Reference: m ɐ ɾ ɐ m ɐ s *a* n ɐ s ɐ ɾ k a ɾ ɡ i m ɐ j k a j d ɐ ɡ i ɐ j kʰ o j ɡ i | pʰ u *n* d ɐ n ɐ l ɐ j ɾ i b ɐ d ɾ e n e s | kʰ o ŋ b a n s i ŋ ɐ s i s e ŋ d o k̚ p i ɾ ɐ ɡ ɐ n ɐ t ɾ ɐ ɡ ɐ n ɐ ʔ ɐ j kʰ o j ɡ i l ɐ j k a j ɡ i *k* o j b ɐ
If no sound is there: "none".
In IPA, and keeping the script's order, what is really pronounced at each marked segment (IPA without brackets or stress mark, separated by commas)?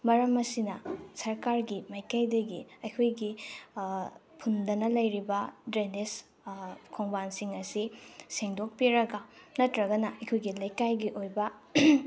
i, n, ʔ